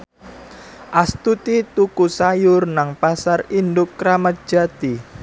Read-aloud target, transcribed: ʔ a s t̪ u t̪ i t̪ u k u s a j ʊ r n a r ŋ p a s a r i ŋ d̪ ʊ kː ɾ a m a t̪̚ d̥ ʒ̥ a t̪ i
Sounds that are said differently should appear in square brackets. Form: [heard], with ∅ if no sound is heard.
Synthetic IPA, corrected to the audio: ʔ a s t̪ u t̪ i t̪ u k u s a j ʊ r n a [∅] ŋ p a s a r i [n] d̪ ʊ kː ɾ a m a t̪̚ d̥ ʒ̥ a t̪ i